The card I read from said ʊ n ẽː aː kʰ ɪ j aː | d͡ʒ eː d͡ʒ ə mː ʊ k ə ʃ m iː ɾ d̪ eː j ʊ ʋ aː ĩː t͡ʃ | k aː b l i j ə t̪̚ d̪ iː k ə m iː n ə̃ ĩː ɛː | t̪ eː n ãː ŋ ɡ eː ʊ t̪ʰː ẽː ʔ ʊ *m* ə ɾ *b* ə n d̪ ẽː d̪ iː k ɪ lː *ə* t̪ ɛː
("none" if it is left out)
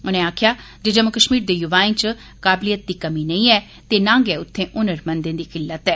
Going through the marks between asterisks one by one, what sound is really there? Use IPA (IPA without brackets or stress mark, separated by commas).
n, m, ə